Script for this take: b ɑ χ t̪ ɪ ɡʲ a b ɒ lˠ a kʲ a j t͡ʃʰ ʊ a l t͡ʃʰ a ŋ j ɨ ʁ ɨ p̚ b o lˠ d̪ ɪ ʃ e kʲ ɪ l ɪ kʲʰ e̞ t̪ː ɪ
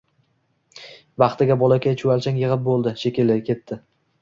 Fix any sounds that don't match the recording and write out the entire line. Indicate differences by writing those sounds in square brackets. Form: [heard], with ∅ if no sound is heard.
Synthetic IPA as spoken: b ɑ χ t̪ ɪ ɡʲ a b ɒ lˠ a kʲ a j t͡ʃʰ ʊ a l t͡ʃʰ a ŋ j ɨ ʁ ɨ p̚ b o lˠ d̪ ɪ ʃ e kʲ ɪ l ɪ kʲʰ e̞ t̪ː ɪ